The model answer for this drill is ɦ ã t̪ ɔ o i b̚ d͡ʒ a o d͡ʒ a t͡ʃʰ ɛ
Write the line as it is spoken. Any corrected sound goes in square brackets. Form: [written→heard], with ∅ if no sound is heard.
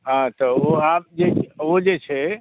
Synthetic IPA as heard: ɦ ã t̪ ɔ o [i→a] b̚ d͡ʒ [a→e] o d͡ʒ [a→e] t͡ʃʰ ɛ